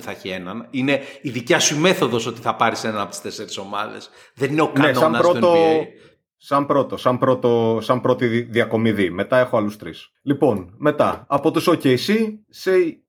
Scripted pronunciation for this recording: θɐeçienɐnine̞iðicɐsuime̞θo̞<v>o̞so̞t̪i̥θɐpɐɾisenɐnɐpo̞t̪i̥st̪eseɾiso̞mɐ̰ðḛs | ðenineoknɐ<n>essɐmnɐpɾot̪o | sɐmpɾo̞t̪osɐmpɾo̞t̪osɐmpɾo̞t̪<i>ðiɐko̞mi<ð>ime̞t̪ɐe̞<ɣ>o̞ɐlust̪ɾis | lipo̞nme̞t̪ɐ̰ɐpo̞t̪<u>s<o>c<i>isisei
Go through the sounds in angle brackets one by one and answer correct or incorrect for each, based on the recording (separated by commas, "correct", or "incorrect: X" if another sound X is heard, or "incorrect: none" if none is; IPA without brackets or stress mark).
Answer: incorrect: ð, correct, correct, correct, incorrect: x, correct, correct, incorrect: e